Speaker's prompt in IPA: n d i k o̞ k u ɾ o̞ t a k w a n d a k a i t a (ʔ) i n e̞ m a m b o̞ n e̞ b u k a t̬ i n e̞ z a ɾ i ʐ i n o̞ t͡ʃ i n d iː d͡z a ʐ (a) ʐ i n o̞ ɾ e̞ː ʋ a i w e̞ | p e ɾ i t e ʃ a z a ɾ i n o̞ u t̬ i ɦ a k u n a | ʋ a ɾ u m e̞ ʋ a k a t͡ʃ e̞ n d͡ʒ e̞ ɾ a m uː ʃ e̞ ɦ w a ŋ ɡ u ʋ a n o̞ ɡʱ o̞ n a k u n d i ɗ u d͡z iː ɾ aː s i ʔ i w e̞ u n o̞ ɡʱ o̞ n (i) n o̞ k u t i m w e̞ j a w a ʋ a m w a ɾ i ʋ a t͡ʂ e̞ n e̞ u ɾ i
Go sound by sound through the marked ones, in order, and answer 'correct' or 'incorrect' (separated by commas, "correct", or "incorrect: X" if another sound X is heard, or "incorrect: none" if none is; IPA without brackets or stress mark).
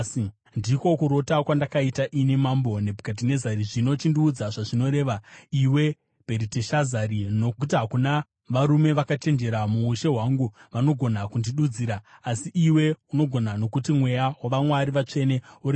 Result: correct, correct, incorrect: a